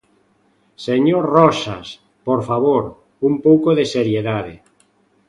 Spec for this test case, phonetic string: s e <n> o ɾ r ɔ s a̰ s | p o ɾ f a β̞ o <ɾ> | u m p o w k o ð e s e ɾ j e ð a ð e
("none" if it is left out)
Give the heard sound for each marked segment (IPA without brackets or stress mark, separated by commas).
ɲ, ɾ